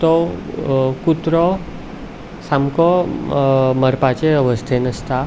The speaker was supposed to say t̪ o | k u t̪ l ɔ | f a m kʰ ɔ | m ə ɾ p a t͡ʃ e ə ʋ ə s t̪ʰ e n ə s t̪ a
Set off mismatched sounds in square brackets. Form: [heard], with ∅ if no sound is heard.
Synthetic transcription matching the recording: t̪ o | k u t̪ [ɾ] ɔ | [s] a m [k] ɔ | m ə ɾ p a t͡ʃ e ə ʋ ə s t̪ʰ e n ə s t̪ a